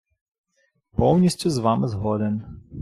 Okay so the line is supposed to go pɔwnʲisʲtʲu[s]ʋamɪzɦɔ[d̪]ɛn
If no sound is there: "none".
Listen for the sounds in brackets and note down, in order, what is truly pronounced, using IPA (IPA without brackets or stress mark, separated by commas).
z, d̪